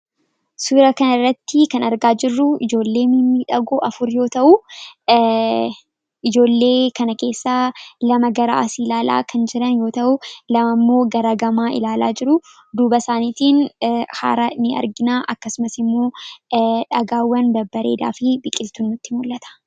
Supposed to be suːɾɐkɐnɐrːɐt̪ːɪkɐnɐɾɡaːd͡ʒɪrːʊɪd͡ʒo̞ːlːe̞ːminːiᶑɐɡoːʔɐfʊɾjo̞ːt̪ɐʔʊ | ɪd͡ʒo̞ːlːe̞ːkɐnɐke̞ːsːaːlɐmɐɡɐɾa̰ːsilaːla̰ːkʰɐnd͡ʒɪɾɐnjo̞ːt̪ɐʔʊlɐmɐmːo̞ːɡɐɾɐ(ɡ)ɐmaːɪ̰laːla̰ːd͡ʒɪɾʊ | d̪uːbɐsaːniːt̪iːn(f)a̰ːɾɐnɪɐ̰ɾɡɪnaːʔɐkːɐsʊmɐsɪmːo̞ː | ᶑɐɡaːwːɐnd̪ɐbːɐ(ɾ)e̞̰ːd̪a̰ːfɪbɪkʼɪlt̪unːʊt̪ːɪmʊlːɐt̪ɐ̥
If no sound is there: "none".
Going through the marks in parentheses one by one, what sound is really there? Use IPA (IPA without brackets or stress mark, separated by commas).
ɡ, h, ɾ